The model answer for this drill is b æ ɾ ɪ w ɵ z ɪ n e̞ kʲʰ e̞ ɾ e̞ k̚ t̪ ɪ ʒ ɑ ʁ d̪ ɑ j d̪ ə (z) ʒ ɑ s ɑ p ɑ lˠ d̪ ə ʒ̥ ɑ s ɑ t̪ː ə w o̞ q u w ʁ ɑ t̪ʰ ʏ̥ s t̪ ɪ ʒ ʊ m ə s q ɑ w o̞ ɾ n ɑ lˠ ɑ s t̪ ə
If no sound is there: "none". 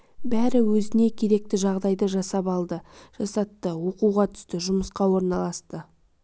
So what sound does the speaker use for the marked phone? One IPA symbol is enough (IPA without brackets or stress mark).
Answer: none